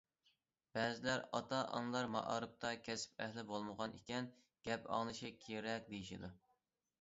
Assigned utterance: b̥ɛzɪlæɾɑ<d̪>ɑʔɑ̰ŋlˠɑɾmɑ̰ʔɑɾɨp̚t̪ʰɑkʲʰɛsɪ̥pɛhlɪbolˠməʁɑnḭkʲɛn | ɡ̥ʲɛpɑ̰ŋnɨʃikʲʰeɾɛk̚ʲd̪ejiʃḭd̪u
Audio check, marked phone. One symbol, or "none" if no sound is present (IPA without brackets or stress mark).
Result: t̪